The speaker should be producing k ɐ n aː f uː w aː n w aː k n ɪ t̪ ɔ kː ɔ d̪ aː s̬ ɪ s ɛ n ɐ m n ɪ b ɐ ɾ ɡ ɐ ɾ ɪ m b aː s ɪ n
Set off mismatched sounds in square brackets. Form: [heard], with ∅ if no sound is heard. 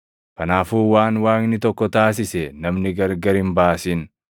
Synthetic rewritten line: k ɐ n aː f uː w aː n w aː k n ɪ t̪ ɔ kː ɔ [t̪] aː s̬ ɪ s ɛ n ɐ m n ɪ [ɡ] ɐ ɾ ɡ ɐ ɾ ɪ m b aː s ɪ n